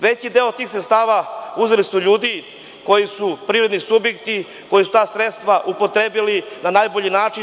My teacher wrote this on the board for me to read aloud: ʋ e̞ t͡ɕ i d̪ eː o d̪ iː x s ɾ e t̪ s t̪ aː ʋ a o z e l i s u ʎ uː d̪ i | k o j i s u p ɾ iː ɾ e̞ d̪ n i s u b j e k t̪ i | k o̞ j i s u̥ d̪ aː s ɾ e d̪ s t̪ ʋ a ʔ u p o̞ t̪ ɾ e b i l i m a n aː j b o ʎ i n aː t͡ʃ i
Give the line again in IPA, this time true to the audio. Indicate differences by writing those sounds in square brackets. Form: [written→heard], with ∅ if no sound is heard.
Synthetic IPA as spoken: ʋ e̞ t͡ɕ i d̪ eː o [d̪→t̪] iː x s ɾ e t̪ s t̪ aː ʋ a [o→u] z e l i s u ʎ uː d̪ i | k o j i s u p ɾ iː ɾ e̞ d̪ n i s u b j e k t̪ i | k o̞ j i s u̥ [d̪→t̪] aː s ɾ e [d̪→t̪] s t̪ ʋ a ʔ u p o̞ t̪ ɾ e b i l i [m→n] a n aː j b o ʎ i n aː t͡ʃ i

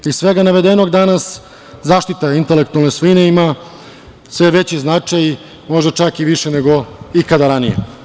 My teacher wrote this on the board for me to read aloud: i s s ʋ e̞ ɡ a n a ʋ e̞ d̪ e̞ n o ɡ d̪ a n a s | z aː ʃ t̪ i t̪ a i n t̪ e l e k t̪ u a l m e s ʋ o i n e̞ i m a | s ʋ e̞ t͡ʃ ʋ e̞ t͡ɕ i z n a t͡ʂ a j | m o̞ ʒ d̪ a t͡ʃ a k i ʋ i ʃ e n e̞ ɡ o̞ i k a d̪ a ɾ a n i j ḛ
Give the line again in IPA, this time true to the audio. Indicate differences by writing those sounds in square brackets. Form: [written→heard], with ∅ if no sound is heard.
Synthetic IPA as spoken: i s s ʋ e̞ ɡ a n a ʋ e̞ d̪ e̞ n o ɡ d̪ a n a s | z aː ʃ t̪ i t̪ a i n t̪ e l e k t̪ u a l [m→n] e s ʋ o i n e̞ i m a | s ʋ e̞ [t͡ʃ→∅] ʋ e̞ t͡ɕ i z n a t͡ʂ a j | m o̞ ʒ d̪ a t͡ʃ a k i ʋ i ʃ e n e̞ ɡ o̞ i k a d̪ a ɾ a n i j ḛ

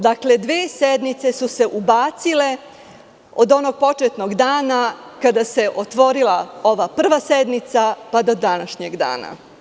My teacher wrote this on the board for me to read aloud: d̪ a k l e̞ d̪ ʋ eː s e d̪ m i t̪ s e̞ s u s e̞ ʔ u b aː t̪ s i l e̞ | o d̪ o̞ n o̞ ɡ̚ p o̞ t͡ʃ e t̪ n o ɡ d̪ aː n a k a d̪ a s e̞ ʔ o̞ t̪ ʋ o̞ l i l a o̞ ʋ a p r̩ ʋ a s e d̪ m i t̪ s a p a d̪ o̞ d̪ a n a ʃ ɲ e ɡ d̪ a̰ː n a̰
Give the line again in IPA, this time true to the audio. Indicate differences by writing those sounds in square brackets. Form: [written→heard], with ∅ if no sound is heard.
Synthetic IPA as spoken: d̪ a k l e̞ d̪ ʋ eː s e d̪ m i t̪ s e̞ s u s e̞ ʔ u b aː t̪ s i l e̞ | o d̪ o̞ n o̞ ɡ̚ p o̞ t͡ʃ e t̪ n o ɡ d̪ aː n a k a d̪ a s e̞ ʔ o̞ t̪ ʋ o̞ [l→ɾ] i l a o̞ ʋ a p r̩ ʋ a s e d̪ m i t̪ s a p a d̪ o̞ d̪ a n a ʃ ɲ e ɡ d̪ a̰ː n a̰

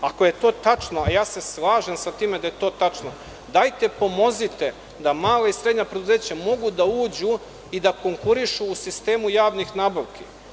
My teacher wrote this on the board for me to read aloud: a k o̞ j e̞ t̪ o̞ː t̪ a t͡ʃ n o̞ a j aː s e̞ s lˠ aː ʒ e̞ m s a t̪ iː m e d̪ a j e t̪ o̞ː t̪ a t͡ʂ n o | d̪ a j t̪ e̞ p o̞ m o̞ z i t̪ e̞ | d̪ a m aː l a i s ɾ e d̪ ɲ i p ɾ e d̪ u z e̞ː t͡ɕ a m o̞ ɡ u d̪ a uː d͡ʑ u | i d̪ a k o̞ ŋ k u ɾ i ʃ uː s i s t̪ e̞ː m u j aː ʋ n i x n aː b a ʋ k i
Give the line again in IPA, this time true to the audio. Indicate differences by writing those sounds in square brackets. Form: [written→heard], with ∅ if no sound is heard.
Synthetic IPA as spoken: a k o̞ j e̞ t̪ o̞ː t̪ a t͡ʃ n o̞ a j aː s e̞ s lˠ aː ʒ e̞ m s a t̪ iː m e d̪ a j e t̪ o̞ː t̪ a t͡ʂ n o | d̪ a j t̪ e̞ p o̞ m o̞ z i t̪ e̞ | d̪ a m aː l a i s ɾ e d̪ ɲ [i→a] p ɾ e d̪ u z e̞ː t͡ɕ a m o̞ ɡ u d̪ a uː d͡ʑ u | i d̪ a k o̞ ŋ k u ɾ i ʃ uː s i s t̪ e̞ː m u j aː ʋ n i x n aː b a ʋ k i

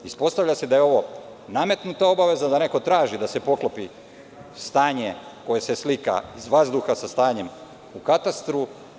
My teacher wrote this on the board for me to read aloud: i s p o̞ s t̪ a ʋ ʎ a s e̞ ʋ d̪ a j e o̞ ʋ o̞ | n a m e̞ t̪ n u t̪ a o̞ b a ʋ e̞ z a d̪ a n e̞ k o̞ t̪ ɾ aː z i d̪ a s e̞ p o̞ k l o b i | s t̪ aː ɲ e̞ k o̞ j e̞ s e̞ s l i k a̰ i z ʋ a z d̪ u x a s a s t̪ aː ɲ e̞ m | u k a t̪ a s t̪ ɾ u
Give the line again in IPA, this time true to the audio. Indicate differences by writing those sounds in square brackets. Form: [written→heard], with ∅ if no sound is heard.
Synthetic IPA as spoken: i s p o̞ s t̪ a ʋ ʎ a s e̞ [ʋ→∅] d̪ a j e o̞ ʋ o̞ | n a m e̞ t̪ n u t̪ a o̞ b a ʋ e̞ z a d̪ a n e̞ k o̞ t̪ ɾ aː [z→ʒ] i d̪ a s e̞ p o̞ k l o [b→p] i | s t̪ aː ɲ e̞ k o̞ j e̞ s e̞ s l i k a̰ i z ʋ a z d̪ u x a s a s t̪ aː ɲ e̞ m | u k a t̪ a s t̪ ɾ u

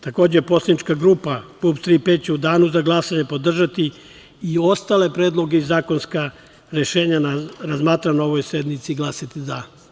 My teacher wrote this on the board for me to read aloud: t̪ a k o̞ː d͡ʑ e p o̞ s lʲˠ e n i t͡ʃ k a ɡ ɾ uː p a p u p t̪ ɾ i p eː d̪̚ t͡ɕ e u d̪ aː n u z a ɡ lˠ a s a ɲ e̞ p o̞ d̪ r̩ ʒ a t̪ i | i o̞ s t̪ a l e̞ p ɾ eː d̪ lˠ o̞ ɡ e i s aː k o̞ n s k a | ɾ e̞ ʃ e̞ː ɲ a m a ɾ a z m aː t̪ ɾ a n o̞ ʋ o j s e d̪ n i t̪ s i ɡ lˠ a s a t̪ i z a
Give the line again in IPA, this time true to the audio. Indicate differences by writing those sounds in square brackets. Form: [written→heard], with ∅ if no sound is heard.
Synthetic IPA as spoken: t̪ a k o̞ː d͡ʑ e p o̞ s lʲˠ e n i t͡ʃ k a ɡ ɾ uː p a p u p t̪ ɾ i p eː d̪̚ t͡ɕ e u d̪ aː n u z a ɡ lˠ a s a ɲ e̞ p o̞ d̪ r̩ ʒ a t̪ i | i o̞ s t̪ a l e̞ p ɾ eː d̪ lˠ o̞ ɡ e i [s→z] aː k o̞ n s k a | ɾ e̞ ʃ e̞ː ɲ a [m→n] a ɾ a z m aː t̪ ɾ a n o̞ ʋ o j s e d̪ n i t̪ s i ɡ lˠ a s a t̪ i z a

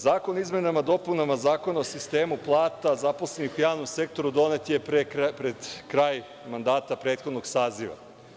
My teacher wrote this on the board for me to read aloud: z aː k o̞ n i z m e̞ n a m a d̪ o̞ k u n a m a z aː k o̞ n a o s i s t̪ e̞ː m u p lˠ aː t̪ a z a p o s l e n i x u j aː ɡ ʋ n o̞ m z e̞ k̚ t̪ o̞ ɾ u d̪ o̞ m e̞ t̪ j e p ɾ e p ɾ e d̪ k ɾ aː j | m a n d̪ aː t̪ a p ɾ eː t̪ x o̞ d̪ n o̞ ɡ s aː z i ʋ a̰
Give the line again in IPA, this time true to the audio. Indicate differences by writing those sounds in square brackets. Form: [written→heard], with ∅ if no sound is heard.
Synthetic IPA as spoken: z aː k o̞ n i z m e̞ n a m a d̪ o̞ [k→p] u n a m a z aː k o̞ n a o s i s t̪ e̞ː m u p lˠ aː t̪ a z a p o s l e n i x u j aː [ɡ→∅] ʋ n o̞ m [z→s] e̞ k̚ t̪ o̞ ɾ u d̪ o̞ [m→n] e̞ t̪ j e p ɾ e p ɾ e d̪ k ɾ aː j | m a n d̪ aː t̪ a p ɾ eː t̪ x o̞ d̪ n o̞ ɡ s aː z i ʋ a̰

